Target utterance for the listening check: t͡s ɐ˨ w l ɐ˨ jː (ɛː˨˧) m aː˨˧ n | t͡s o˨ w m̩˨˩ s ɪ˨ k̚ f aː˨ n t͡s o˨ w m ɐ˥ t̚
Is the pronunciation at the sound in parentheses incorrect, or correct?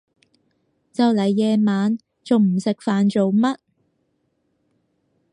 correct